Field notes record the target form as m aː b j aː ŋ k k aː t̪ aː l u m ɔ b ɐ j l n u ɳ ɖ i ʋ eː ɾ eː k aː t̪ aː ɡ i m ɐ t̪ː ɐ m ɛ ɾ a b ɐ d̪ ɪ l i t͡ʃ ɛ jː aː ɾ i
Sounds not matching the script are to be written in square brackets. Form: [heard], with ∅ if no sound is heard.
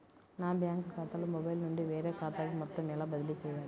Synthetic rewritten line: [n] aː b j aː ŋ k k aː t̪ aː l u m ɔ b ɐ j l n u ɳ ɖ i ʋ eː ɾ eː k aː t̪ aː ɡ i m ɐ t̪ː ɐ m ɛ [l] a b ɐ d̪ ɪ l i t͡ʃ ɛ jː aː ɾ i